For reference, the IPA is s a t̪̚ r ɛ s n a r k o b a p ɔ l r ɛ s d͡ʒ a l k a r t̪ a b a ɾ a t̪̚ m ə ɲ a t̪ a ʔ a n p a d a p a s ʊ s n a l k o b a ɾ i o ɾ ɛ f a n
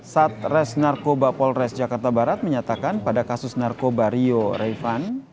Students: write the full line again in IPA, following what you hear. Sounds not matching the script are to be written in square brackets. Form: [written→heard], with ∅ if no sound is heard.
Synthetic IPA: s a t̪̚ r ɛ s n a r k o b a p ɔ l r ɛ s d͡ʒ a [l→∅] k a r t̪ a b a ɾ a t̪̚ m ə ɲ a t̪ a [ʔ→k] a n p a d a [p→k] a s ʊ s n a [l→r] k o b a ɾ i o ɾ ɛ f a n